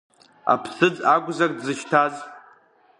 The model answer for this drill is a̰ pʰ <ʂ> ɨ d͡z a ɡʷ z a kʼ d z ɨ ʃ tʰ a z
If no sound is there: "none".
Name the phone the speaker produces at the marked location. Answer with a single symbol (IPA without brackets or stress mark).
s